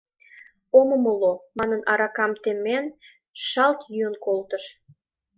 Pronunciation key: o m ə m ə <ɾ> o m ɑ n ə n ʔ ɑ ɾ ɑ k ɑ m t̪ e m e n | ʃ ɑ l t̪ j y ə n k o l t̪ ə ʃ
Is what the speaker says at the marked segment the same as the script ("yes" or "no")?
no